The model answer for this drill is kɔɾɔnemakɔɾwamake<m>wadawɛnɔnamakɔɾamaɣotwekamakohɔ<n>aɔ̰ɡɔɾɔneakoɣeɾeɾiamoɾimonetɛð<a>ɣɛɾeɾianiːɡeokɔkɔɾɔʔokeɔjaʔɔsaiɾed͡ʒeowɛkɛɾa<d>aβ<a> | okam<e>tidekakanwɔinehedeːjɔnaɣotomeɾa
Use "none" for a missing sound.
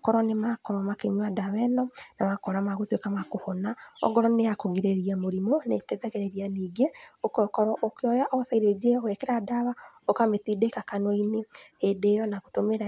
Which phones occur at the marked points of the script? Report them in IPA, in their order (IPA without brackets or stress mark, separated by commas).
ɲ, n, ɛ, d, a, e